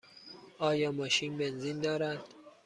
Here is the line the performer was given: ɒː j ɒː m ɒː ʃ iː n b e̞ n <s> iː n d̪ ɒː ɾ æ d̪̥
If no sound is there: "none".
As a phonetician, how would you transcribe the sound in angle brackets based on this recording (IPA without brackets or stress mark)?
z